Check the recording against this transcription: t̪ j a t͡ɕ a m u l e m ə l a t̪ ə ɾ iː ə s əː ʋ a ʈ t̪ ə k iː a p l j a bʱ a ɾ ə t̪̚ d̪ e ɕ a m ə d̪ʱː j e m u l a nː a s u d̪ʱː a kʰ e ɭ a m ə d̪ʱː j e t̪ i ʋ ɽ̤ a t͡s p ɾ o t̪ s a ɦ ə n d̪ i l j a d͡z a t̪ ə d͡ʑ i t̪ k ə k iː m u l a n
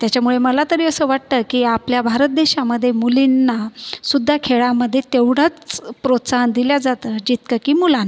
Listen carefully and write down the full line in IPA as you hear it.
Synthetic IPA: t̪ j a t͡ɕ a m u ɭ e m ə l a t̪ ə ɾ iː ə s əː ʋ a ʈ t̪ ə k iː a p l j a bʱ a ɾ ə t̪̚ d̪ e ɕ a m ə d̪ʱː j e m u l i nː a s u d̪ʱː a kʰ e ɭ a m ə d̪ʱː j e t̪ e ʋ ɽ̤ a t͡s p ɾ o t̪ s a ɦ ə n d̪ i l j a d͡z a t̪ ə d͡ʑ i t̪ k ə k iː m u l a n